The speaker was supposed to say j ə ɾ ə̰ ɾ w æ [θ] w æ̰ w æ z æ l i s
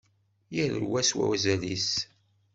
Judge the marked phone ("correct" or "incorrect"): incorrect